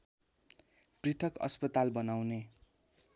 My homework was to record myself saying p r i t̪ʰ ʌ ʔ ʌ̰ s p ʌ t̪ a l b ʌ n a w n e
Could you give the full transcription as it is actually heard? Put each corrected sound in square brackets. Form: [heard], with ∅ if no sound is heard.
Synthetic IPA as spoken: p r i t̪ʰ ʌ [k] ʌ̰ s p ʌ t̪ a l b ʌ n a w n e